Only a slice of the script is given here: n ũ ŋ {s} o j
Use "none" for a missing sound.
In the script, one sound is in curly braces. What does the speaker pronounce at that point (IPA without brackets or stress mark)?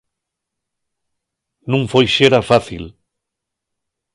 f